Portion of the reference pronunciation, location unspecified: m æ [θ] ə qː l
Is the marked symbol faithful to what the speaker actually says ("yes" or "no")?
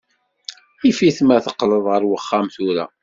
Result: yes